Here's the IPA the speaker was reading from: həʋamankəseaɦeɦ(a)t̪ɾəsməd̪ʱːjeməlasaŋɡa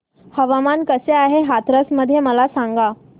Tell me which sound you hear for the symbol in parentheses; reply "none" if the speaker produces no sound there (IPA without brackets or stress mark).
a